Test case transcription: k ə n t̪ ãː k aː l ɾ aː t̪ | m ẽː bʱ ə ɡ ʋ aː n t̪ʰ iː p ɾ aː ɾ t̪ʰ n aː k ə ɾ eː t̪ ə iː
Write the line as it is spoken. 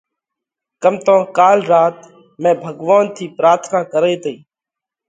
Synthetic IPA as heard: k ə m t̪ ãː k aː l ɾ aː t̪ | m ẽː bʱ ə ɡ ʋ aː n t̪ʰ iː p ɾ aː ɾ t̪ʰ n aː k ə ɾ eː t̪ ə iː